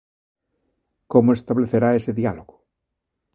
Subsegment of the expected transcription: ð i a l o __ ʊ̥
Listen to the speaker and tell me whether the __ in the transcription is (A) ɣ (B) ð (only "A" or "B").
A